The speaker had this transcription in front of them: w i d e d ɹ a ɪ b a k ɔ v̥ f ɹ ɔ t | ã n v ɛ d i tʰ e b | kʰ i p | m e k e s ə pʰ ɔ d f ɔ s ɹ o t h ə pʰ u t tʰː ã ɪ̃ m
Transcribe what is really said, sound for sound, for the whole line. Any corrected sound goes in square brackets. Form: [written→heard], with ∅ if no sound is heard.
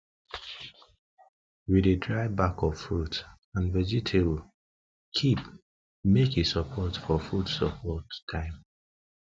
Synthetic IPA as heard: w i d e d ɹ a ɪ b a k ɔ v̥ f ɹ [ɔ→u] t | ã n v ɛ [d→d͡ʒ] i tʰ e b | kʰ i p | m e k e s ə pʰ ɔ [d→t] f ɔ [s→f] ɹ [o→u] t [h→s] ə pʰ [u→ɔ] t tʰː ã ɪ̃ m